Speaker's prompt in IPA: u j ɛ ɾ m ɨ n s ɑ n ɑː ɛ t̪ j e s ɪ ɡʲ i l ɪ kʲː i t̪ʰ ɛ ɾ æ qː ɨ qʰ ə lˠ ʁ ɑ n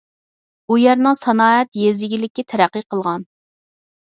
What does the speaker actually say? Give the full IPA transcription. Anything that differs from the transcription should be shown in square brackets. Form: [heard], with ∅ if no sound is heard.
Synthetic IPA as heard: u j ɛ ɾ [n] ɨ [ŋ] s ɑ n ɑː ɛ t̪ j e [z] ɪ ɡʲ i l ɪ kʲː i t̪ʰ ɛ ɾ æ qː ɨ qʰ ə lˠ ʁ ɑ n